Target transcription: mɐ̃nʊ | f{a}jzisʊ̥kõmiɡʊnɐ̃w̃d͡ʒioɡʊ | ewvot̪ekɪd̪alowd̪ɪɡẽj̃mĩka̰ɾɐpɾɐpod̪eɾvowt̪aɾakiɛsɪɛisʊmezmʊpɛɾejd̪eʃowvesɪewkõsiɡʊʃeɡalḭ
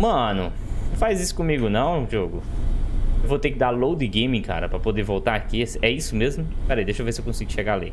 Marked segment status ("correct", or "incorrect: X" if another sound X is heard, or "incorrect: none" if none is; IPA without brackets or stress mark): correct